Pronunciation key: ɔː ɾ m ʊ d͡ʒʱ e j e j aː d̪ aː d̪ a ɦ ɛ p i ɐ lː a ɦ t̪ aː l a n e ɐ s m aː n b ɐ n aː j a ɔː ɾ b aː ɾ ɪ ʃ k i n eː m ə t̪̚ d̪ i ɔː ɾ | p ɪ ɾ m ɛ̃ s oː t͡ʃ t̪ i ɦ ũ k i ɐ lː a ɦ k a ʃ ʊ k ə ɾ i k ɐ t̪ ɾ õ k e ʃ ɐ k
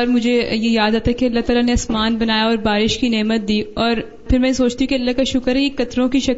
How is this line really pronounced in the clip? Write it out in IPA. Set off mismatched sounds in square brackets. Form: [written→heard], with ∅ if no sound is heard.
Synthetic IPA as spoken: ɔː ɾ m ʊ d͡ʒʱ e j e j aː d̪ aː [d̪→t̪] a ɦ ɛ [p→k] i ɐ lː a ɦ t̪ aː l a n e ɐ s m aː n b ɐ n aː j a ɔː ɾ b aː ɾ ɪ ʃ k i n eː m ə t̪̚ d̪ [i→iː] ɔː ɾ | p ɪ ɾ m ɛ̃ s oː t͡ʃ t̪ i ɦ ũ k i ɐ lː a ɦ k a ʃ ʊ k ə ɾ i k ɐ t̪ ɾ õ k [e→i] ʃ ɐ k